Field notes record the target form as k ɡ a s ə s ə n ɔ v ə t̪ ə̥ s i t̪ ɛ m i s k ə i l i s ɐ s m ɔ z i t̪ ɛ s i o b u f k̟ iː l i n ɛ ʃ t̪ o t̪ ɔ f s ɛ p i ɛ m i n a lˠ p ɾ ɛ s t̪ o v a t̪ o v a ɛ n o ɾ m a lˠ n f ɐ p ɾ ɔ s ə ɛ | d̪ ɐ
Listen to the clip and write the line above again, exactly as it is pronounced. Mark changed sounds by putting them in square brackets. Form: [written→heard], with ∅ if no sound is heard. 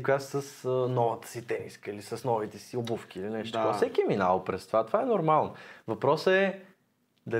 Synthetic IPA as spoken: k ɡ a s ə s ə n ɔ v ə t̪ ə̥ s i t̪ ɛ m i s k ə i l i s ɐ s [m→n] ɔ [z→v] i t̪ ɛ s i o b u f k̟ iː l i n ɛ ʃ t̪ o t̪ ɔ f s ɛ [p→k] i ɛ m i n a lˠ p ɾ ɛ s t̪ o v a t̪ o v a ɛ n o ɾ m a lˠ n [f→v] ɐ p ɾ ɔ s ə ɛ | d̪ ɐ